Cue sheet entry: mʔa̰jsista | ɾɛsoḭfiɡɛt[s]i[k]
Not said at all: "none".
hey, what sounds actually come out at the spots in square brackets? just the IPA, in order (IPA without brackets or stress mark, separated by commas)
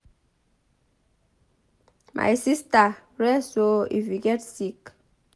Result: s, k